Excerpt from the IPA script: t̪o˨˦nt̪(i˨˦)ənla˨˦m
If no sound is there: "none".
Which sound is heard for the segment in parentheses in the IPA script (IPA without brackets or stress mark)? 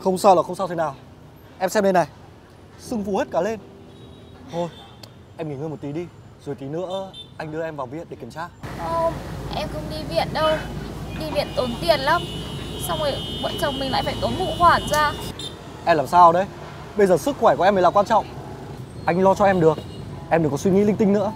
i˧˩